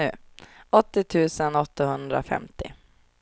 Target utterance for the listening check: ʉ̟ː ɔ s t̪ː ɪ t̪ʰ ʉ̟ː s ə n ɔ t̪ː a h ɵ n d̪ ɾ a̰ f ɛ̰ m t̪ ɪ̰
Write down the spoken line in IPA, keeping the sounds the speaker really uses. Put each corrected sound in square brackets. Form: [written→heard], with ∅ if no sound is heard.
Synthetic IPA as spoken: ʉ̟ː ɔ [s→∅] t̪ː ɪ t̪ʰ ʉ̟ː s ə n ɔ t̪ː a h ɵ n d̪ ɾ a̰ f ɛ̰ m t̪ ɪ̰